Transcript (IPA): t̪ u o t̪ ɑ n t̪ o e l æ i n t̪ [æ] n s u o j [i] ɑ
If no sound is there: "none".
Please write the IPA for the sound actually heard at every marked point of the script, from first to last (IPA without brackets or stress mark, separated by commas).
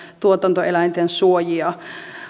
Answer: e, i